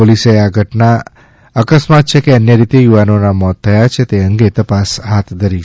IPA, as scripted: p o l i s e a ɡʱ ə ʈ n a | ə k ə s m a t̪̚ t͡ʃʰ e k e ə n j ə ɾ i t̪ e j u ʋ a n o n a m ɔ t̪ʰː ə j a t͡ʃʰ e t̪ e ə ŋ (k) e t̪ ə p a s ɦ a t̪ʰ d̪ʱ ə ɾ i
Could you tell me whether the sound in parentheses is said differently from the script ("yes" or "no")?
yes